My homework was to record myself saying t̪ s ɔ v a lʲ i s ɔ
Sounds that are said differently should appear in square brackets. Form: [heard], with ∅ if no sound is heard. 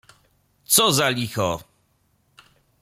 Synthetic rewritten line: t̪ s ɔ [z] a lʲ i [x] ɔ